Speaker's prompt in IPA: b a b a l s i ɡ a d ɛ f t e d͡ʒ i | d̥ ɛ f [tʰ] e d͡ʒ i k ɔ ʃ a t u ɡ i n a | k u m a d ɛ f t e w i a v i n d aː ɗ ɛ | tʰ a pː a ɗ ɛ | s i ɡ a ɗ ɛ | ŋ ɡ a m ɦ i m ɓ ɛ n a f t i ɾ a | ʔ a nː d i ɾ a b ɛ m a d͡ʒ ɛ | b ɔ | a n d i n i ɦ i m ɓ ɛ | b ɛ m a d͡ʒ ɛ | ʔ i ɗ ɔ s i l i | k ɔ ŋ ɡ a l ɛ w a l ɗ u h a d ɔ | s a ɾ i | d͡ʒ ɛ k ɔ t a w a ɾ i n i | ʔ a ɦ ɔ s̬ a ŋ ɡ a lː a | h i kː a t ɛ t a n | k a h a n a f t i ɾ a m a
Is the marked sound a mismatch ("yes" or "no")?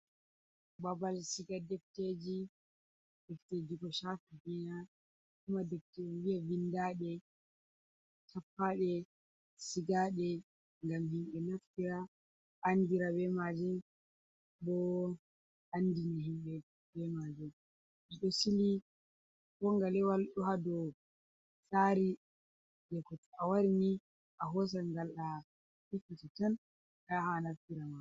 yes